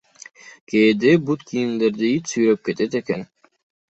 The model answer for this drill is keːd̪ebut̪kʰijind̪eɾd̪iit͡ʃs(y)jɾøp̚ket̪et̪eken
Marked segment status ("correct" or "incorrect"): correct